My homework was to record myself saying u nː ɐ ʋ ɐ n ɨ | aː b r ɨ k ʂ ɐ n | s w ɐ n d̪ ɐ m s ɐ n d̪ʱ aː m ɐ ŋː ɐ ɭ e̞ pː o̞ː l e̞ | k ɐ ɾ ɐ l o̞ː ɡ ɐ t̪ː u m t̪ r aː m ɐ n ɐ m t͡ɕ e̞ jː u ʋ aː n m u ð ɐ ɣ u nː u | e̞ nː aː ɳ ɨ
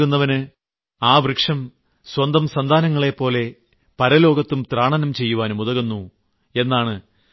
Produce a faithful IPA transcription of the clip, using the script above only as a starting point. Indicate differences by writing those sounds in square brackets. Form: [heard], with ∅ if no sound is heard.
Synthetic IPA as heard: u nː ɐ ʋ ɐ n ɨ | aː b r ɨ k ʂ ɐ [m] | s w ɐ n d̪ ɐ m s ɐ n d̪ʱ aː [n] ɐ ŋː ɐ ɭ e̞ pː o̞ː l e̞ | [p] ɐ ɾ ɐ l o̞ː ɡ ɐ t̪ː u m t̪ r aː [ɳ] ɐ n ɐ m t͡ɕ e̞ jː u ʋ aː n m u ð ɐ ɣ u nː u | e̞ nː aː ɳ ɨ